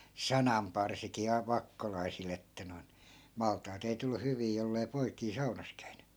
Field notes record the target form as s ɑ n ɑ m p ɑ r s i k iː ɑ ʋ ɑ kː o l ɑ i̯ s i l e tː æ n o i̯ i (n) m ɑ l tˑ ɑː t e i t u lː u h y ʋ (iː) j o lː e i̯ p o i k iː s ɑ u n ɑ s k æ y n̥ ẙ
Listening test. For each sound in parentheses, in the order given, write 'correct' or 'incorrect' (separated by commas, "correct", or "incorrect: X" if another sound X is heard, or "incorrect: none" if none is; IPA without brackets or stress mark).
correct, correct